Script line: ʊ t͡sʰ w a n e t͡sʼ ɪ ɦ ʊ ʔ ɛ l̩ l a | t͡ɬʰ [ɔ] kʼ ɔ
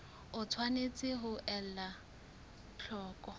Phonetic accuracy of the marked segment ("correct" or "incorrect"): incorrect